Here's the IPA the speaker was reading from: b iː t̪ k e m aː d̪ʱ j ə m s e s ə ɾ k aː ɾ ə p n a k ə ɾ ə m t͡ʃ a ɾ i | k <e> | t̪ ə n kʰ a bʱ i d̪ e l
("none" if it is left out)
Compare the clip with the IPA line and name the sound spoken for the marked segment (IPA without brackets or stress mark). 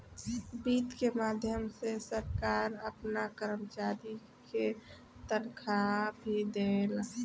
e